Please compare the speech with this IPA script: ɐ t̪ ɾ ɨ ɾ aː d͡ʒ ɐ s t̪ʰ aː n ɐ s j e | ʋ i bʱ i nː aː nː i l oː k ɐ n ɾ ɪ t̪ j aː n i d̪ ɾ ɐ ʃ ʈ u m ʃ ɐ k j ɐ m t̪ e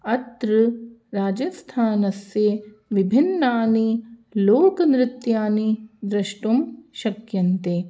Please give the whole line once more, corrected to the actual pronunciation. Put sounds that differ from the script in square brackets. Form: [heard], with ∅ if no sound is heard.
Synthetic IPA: ɐ t̪ ɾ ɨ ɾ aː d͡ʒ ɐ s t̪ʰ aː n ɐ s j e | ʋ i bʱ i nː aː [n] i l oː k ɐ n ɾ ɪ t̪ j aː n i d̪ ɾ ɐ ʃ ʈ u m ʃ ɐ k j ɐ [n] t̪ e

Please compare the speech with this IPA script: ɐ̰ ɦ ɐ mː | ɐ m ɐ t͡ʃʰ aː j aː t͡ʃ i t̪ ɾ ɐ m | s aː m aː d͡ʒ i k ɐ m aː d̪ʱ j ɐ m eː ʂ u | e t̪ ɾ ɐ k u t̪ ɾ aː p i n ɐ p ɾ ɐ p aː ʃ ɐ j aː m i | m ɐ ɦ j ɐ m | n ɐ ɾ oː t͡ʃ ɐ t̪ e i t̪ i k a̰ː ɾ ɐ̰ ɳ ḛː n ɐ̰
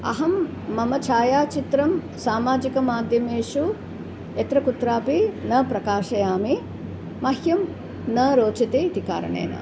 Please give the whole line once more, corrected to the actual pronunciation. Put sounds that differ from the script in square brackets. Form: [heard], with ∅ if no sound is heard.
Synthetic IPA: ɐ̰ ɦ ɐ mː | ɐ m ɐ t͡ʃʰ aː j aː t͡ʃ i t̪ ɾ ɐ m | s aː m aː d͡ʒ i k ɐ m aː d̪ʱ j ɐ m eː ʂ u | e t̪ ɾ ɐ k u t̪ ɾ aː p i n ɐ p ɾ ɐ [k] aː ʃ ɐ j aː m i | m ɐ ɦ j ɐ m | n ɐ ɾ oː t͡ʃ ɐ t̪ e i t̪ i k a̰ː ɾ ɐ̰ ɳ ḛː n ɐ̰

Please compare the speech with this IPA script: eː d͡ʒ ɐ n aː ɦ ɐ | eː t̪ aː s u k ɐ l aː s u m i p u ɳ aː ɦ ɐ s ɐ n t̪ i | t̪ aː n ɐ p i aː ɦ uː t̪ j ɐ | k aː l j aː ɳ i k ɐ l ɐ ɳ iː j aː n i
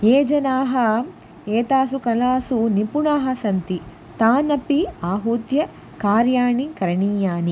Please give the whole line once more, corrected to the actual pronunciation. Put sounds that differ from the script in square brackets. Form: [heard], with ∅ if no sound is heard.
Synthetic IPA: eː d͡ʒ ɐ n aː ɦ ɐ | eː t̪ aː s u k ɐ l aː s u [n] i p u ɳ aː ɦ ɐ s ɐ n t̪ i | t̪ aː n ɐ p i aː ɦ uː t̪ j ɐ | k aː [ɾ] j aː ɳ i k ɐ [ɾ] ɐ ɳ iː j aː n i

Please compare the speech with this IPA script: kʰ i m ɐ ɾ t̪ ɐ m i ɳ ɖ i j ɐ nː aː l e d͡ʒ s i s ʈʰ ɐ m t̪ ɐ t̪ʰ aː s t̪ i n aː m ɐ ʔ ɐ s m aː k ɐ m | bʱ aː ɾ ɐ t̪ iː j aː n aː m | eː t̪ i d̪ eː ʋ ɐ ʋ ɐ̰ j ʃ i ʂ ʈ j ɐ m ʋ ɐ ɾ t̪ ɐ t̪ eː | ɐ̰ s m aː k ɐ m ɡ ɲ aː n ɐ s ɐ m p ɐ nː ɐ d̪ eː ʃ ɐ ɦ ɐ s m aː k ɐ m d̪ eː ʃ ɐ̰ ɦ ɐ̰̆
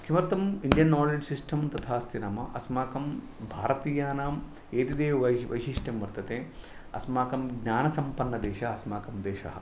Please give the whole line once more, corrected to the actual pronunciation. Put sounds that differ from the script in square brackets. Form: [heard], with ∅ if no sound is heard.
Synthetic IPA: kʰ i m ɐ ɾ t̪ ɐ m i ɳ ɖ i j ɐ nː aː l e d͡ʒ s i s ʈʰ ɐ m t̪ ɐ t̪ʰ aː s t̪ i n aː m ɐ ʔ ɐ s m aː k ɐ m | bʱ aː ɾ ɐ t̪ iː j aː n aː m | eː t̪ i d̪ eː ʋ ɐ ʋ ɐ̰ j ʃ i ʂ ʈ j ɐ m ʋ ɐ ɾ t̪ ɐ t̪ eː | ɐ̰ s m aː k ɐ m ɡ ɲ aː n ɐ s ɐ m p ɐ nː ɐ d̪ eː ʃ ɐ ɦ ɐ s m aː k ɐ m d̪ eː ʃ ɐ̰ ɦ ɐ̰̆

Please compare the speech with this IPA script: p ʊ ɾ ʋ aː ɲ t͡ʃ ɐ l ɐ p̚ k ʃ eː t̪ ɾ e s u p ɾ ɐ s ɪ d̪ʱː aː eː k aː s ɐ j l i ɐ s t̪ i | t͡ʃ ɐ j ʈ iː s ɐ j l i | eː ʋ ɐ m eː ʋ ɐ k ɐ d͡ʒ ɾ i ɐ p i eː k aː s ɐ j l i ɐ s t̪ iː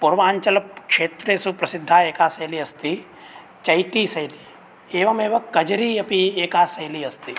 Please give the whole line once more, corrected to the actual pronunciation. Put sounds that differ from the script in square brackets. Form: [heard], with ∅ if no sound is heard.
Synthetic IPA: p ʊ ɾ ʋ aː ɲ t͡ʃ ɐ l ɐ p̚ k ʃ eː t̪ ɾ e s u p ɾ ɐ s ɪ d̪ʱː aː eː k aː s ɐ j l i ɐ s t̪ i | t͡ʃ ɐ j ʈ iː s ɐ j l i | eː ʋ ɐ m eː ʋ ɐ k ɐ d͡ʒ ɾ i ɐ p i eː k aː s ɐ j l i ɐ s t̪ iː

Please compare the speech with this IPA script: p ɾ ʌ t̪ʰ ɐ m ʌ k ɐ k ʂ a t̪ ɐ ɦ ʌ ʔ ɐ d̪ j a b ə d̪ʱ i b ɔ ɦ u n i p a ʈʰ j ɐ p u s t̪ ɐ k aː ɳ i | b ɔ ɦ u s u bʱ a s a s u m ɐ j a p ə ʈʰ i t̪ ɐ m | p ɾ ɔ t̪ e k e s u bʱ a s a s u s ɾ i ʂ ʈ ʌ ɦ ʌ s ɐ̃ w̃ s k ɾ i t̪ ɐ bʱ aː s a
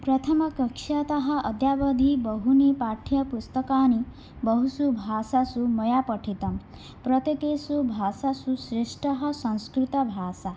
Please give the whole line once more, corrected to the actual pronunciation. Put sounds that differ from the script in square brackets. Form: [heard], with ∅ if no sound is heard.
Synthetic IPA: p ɾ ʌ t̪ʰ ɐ m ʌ k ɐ k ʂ a t̪ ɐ ɦ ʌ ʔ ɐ d̪ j a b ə d̪ʱ i b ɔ ɦ u n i p a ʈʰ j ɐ p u s t̪ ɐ k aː [n] i | b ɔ ɦ u s u bʱ a s a s u m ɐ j a p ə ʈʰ i t̪ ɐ m | p ɾ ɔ t̪ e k e s u bʱ a s a s u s ɾ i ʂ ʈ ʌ ɦ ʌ s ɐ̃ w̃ s k ɾ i t̪ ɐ bʱ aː s a

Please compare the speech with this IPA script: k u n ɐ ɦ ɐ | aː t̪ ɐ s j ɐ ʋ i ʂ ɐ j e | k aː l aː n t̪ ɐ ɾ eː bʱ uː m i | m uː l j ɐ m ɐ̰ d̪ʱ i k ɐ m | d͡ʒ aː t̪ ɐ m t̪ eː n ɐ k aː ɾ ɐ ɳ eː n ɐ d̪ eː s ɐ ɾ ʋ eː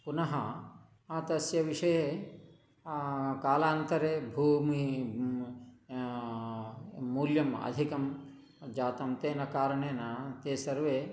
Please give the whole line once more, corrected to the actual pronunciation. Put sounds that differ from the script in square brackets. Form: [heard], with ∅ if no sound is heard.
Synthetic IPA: [p] u n ɐ ɦ ɐ | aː t̪ ɐ s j ɐ ʋ i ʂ ɐ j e | k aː l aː n t̪ ɐ ɾ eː bʱ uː m i | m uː l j ɐ m ɐ̰ d̪ʱ i k ɐ m | d͡ʒ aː t̪ ɐ m t̪ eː n ɐ k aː ɾ ɐ ɳ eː n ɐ [t̪] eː s ɐ ɾ ʋ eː

